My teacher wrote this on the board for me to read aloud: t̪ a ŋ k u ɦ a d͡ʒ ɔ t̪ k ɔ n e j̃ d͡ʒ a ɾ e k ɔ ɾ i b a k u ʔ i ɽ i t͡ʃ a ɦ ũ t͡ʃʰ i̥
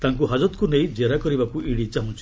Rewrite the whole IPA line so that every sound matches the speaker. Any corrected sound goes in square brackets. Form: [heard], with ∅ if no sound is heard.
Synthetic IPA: t̪ a ŋ k u ɦ a d͡ʒ ɔ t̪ k [u] n e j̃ d͡ʒ [e] ɾ [a] k ɔ ɾ i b a k u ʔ i ɽ i t͡ʃ a ɦ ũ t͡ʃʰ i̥